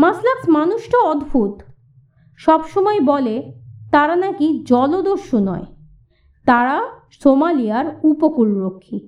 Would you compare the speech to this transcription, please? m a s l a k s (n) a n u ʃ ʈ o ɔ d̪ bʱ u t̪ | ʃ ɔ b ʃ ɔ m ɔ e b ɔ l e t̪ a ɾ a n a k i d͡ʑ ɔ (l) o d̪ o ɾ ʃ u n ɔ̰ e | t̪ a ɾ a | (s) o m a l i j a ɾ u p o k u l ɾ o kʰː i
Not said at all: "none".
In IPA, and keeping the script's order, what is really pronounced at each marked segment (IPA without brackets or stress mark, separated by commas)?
m, l, s